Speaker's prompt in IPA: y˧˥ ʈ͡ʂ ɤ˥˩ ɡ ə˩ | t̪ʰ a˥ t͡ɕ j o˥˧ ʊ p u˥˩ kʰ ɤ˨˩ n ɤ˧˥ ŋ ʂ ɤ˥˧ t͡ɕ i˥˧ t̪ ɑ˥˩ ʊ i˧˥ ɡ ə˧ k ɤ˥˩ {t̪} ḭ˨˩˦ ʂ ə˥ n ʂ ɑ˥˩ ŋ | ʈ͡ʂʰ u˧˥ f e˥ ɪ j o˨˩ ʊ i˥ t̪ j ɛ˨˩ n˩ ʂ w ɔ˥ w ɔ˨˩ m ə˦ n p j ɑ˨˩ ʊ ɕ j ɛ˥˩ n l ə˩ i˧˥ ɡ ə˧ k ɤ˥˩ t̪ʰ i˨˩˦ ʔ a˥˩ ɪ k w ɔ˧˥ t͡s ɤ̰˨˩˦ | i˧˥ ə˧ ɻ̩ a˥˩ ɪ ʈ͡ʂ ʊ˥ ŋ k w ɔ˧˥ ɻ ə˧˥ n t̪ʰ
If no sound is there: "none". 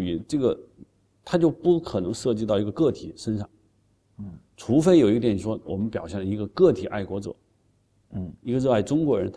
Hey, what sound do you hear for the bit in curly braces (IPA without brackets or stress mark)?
t̪ʰ